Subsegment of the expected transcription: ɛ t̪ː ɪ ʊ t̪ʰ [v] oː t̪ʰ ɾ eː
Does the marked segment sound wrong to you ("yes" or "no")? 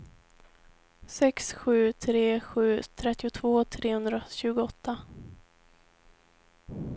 no